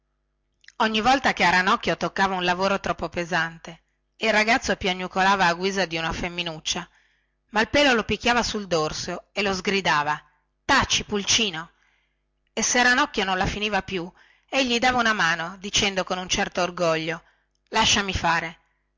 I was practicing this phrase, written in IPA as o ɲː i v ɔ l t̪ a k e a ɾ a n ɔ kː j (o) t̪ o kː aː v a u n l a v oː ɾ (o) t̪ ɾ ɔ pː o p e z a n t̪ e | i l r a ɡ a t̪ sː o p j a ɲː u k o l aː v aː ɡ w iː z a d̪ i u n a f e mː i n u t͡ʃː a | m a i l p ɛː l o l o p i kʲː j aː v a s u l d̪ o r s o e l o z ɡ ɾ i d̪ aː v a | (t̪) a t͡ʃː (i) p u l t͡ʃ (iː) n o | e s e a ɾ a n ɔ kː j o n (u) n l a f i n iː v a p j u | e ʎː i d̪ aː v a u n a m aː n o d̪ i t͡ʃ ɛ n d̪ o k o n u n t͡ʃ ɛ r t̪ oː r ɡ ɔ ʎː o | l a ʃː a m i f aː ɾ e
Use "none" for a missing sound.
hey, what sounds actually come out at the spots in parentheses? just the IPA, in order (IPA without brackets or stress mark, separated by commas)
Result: o, o, t̪, i, iː, o